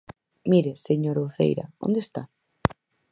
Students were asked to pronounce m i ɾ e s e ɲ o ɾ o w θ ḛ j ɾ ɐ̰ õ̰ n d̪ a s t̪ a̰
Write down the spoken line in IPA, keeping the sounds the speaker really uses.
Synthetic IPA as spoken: m i ɾ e s e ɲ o ɾ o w θ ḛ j ɾ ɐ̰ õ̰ n d̪ e s t̪ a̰